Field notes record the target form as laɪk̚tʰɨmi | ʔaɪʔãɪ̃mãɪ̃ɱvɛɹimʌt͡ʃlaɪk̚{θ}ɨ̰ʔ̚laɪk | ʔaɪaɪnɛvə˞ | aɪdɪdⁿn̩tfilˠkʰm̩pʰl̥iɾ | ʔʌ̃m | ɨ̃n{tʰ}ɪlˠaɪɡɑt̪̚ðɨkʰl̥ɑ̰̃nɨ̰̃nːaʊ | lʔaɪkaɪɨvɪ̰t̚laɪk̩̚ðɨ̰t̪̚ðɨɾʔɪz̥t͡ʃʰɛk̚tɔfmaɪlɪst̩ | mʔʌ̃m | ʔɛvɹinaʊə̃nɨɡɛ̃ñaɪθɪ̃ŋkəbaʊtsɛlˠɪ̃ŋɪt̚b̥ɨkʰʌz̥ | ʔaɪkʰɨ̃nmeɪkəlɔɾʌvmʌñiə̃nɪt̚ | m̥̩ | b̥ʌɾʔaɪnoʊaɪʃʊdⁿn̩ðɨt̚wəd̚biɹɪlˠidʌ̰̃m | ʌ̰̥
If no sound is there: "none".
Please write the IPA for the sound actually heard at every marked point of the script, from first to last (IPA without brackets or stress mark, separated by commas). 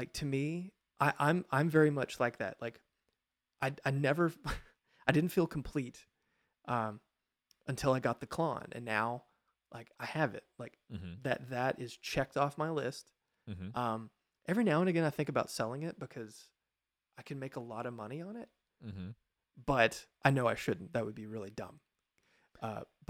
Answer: ð, tʰ